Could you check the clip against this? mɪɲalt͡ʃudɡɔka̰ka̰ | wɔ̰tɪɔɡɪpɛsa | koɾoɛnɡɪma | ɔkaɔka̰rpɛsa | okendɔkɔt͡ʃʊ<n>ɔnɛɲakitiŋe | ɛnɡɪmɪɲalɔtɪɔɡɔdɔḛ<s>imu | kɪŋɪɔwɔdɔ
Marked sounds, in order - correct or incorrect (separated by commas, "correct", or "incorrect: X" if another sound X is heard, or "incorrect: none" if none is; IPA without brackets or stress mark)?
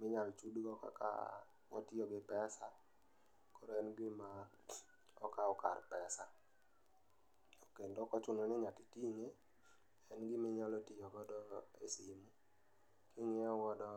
correct, correct